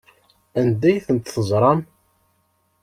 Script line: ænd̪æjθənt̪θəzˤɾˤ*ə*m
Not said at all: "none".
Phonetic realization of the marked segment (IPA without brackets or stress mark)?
ɑ